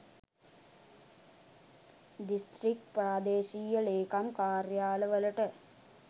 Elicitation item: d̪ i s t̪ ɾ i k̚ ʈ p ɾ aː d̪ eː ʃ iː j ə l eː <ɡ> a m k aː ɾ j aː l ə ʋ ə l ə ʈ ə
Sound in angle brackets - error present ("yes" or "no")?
yes